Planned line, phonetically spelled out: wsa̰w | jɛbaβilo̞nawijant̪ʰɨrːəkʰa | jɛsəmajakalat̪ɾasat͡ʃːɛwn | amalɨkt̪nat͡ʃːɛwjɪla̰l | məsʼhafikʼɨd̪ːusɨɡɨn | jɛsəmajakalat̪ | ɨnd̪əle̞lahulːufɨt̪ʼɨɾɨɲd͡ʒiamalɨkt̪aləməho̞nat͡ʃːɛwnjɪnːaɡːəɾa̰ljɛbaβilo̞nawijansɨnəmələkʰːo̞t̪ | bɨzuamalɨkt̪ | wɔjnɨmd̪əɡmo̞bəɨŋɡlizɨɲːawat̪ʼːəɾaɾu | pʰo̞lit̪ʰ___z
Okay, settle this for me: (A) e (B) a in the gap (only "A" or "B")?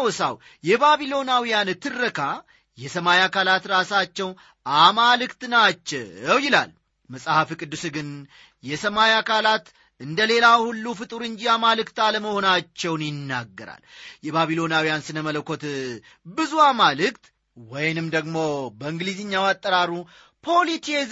A